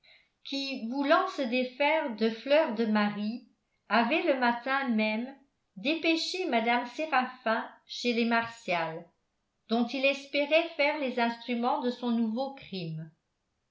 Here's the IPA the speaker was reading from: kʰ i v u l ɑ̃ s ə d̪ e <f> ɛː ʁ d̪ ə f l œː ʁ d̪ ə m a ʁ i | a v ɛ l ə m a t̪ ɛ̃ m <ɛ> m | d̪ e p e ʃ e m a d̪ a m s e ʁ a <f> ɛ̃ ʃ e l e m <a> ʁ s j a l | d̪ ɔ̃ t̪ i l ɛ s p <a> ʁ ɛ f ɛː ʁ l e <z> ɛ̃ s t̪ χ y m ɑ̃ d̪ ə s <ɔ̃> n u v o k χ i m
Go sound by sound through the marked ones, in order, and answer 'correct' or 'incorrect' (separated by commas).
correct, correct, correct, correct, incorrect, correct, correct